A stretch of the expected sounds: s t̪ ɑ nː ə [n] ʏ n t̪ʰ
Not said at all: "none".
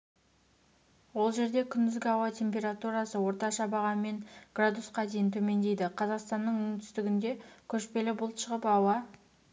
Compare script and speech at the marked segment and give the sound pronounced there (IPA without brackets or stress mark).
ɴ